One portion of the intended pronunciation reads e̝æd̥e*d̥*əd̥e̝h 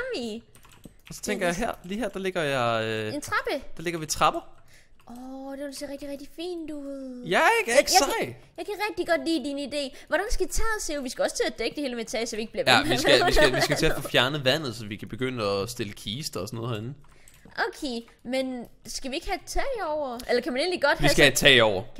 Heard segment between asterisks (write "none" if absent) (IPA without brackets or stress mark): ɡ̥